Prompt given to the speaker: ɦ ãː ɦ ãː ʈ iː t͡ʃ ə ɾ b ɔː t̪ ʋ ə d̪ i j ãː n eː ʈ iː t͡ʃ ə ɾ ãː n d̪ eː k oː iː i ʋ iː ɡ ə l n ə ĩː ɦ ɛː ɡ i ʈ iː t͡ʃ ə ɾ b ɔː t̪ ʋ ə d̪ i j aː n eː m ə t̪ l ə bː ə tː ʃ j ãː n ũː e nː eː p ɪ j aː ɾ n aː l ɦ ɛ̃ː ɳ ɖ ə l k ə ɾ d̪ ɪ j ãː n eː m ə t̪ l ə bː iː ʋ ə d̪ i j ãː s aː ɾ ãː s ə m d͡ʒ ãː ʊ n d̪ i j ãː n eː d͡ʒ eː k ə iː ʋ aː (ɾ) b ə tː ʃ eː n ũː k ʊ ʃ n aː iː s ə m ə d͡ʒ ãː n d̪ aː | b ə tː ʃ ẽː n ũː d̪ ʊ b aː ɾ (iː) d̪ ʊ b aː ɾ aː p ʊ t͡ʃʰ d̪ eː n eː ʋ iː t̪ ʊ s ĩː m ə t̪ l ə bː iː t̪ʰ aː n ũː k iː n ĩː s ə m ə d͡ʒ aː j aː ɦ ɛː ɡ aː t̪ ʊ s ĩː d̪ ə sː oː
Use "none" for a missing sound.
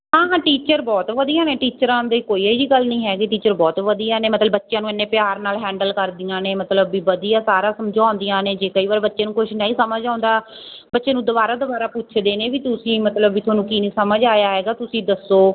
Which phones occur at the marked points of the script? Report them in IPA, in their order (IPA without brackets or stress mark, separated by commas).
ɾ, aː